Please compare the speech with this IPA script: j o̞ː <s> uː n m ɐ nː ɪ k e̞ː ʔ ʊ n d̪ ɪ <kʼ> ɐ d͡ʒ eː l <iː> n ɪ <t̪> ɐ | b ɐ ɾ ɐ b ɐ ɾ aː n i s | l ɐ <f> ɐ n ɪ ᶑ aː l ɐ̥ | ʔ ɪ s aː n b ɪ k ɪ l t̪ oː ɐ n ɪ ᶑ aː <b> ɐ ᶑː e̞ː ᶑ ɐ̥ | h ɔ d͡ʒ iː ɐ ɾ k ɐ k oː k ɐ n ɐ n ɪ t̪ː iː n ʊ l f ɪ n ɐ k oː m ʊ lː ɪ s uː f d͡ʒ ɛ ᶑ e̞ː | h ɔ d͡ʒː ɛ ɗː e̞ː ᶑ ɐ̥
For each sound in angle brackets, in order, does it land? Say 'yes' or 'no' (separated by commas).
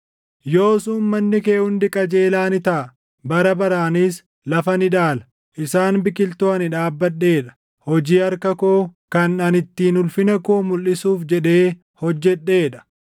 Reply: yes, yes, no, yes, yes, no